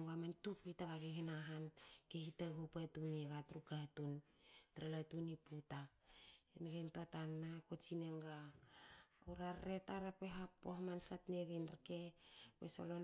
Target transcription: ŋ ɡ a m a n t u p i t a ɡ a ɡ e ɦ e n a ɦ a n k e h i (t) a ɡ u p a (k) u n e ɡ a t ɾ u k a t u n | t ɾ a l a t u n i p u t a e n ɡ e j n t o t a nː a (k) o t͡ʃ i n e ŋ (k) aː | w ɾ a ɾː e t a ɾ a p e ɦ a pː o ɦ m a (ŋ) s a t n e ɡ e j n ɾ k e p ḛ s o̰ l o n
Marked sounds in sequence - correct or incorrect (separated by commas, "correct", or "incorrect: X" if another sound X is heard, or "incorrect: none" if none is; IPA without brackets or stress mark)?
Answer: correct, incorrect: t, correct, incorrect: ɡ, incorrect: n